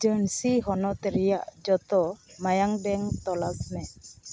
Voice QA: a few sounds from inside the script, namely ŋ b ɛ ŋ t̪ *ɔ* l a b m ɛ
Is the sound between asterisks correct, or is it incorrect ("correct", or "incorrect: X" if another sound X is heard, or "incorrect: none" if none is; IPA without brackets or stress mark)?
correct